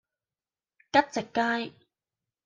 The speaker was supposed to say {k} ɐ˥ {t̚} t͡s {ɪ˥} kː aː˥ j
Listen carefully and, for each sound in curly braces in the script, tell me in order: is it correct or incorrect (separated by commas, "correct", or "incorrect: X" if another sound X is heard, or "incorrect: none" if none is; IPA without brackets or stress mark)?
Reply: correct, correct, incorrect: ɪ˨